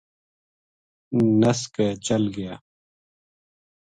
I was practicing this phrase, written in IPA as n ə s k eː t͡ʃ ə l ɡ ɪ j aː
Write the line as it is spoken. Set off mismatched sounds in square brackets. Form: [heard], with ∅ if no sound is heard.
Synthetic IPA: n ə s k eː t͡ʃ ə l ɡ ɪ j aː

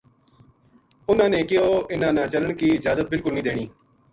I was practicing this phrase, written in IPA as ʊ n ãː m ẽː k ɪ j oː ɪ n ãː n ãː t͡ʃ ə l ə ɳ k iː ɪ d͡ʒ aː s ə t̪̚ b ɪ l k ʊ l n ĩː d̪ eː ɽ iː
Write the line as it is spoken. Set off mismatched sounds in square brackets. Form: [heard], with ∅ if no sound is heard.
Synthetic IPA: ʊ n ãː [n] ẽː k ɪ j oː ɪ n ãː n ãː t͡ʃ ə l ə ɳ k iː ɪ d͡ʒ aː [z] ə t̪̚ b ɪ l k ʊ l n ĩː d̪ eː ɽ iː

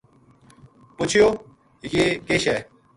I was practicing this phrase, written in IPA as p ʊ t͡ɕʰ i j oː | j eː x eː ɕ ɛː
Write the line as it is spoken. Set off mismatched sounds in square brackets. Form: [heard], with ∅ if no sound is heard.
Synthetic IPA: p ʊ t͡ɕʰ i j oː | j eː [k] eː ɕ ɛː

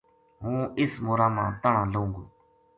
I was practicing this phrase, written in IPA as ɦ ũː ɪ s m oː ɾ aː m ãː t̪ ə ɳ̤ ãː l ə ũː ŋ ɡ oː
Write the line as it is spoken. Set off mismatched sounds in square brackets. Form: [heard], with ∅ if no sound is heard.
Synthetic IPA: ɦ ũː ɪ s m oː ɾ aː m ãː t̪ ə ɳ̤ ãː l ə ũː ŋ ɡ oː

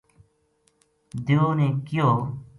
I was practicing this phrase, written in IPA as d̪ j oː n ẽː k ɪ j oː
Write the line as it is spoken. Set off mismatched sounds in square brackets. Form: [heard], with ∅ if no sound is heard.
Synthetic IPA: d̪ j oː n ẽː k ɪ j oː

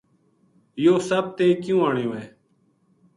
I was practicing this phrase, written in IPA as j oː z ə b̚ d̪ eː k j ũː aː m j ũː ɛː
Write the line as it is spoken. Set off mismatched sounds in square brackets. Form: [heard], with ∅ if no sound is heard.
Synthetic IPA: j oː [s] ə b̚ [t̪] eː k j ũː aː [ɳ] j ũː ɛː

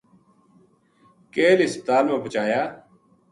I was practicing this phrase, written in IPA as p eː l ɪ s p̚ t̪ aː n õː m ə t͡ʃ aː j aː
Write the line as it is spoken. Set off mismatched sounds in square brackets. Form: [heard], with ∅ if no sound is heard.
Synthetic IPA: [k] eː l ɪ s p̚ t̪ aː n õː [b] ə t͡ʃ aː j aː

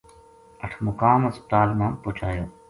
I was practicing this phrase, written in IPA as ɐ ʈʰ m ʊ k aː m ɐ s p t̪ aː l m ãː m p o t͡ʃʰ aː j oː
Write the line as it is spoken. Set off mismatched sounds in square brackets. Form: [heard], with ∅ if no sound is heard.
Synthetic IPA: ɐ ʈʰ m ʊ k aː m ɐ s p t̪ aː l m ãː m p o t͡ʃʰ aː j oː

